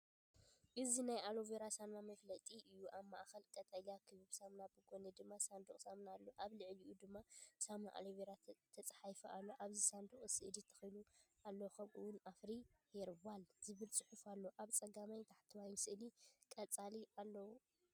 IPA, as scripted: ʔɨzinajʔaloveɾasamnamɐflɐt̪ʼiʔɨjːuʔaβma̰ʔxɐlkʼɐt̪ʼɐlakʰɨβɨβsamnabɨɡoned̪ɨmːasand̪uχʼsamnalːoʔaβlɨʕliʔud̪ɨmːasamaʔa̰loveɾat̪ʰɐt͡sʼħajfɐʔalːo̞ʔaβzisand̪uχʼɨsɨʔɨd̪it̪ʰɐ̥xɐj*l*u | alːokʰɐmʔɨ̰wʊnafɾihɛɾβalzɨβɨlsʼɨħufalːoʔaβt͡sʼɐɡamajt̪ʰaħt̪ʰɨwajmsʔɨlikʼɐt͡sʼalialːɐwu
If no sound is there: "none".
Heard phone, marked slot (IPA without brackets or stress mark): l